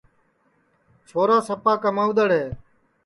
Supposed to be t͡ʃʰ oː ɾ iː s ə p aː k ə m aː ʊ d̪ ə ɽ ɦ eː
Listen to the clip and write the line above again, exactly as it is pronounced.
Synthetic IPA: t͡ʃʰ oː ɾ aː s ə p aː k ə m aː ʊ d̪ ə ɽ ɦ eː